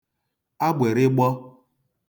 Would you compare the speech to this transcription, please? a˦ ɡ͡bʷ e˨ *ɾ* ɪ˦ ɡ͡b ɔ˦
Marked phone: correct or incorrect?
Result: correct